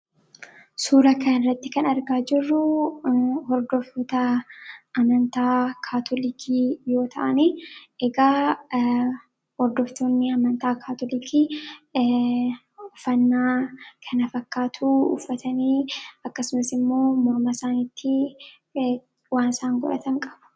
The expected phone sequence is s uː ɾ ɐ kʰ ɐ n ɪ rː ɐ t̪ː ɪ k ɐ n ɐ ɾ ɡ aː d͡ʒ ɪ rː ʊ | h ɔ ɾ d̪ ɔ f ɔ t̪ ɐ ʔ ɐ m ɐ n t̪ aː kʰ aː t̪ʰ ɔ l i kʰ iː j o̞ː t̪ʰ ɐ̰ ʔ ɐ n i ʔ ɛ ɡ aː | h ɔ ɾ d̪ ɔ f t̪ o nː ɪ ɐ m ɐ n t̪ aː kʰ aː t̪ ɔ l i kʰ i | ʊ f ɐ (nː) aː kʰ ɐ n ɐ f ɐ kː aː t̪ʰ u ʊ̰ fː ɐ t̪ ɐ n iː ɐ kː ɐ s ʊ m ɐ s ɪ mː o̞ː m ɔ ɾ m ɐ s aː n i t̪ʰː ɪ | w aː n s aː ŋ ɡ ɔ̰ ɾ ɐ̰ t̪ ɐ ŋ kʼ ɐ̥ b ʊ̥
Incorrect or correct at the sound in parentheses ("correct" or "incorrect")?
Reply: correct